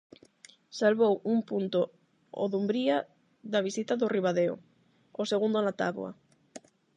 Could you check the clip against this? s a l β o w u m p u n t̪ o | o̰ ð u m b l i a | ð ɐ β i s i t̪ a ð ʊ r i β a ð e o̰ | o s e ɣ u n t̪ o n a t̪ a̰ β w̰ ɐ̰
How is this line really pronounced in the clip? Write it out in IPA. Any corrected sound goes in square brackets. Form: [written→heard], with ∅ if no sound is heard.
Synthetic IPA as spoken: s a l β o w u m p u n t̪ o | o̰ ð u m b [l→ɾ] i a | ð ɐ β i s i t̪ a ð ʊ r i β a ð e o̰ | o s e ɣ u n [t̪→d̪] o n a t̪ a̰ β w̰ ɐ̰